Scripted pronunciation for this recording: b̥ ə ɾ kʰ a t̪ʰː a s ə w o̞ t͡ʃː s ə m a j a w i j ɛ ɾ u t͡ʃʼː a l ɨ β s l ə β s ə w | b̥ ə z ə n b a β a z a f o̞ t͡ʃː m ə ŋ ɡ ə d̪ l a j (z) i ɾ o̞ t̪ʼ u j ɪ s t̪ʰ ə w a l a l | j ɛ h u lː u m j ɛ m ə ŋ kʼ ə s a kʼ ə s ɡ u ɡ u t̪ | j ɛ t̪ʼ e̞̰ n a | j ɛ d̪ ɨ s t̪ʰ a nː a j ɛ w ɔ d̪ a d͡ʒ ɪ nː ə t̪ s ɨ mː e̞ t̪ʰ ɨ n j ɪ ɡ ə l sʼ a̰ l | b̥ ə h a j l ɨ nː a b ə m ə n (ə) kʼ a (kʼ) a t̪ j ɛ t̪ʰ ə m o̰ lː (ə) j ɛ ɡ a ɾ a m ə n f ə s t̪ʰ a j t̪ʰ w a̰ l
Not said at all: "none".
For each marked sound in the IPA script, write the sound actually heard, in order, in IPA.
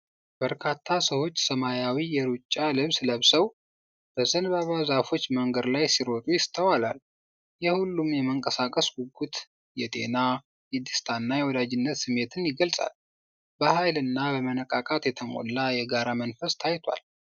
s, ə, kʼ, a

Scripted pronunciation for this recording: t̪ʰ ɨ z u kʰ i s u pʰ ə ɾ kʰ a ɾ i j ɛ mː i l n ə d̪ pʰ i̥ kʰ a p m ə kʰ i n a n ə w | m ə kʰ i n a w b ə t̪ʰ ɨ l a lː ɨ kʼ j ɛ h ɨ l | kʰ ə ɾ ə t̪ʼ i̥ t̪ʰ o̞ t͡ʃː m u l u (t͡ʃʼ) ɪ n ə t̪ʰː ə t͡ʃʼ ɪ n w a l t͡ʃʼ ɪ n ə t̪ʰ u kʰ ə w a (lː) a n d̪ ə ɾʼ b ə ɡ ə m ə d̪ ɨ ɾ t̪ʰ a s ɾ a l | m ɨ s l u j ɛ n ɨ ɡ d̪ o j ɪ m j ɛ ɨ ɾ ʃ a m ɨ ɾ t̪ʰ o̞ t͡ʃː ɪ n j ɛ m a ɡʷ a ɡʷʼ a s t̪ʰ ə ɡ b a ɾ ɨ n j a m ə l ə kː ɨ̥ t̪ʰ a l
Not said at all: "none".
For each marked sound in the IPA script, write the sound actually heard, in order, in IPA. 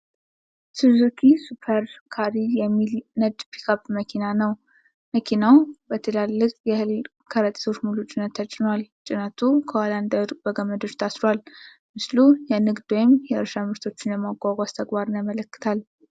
t͡ʃʼ, l

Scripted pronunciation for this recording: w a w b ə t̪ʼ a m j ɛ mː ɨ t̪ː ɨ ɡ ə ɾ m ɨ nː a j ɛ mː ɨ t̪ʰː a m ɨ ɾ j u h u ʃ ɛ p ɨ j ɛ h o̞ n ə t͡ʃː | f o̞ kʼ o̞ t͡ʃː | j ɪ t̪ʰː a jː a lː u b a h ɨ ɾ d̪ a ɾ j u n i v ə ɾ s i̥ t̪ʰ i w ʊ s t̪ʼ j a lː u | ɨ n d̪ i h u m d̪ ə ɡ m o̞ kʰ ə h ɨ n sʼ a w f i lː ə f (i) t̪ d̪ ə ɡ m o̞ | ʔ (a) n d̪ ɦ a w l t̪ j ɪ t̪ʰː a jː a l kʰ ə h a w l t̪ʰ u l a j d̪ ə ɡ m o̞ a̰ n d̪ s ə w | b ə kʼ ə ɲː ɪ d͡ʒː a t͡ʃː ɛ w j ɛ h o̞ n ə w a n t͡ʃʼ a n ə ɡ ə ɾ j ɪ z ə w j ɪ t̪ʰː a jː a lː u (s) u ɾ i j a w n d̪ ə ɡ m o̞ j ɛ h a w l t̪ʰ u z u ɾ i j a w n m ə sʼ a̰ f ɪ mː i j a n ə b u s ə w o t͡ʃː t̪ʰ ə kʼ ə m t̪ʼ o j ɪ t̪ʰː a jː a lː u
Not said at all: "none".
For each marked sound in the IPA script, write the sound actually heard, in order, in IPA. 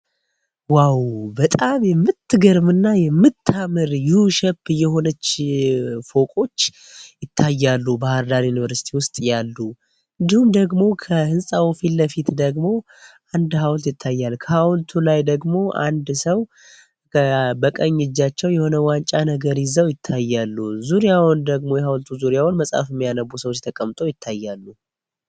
i, a, z

